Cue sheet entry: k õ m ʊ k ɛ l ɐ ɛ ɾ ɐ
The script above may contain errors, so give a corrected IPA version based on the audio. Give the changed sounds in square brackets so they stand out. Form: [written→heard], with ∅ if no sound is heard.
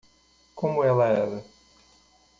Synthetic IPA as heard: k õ m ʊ [k→∅] ɛ l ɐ ɛ ɾ ɐ